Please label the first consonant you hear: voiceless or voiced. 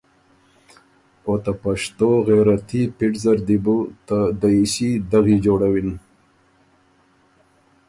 voiceless